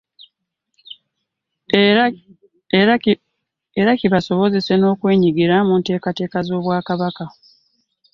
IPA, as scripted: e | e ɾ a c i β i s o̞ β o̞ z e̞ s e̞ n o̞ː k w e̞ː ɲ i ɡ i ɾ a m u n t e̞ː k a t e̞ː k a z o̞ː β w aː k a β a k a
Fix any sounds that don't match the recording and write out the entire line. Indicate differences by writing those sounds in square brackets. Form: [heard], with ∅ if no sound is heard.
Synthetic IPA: e | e ɾ a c i β [a] s o̞ β o̞ z e̞ s e̞ n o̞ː k w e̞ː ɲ i ɡ i ɾ a m u n t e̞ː k a t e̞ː k a z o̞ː β w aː k a β a k a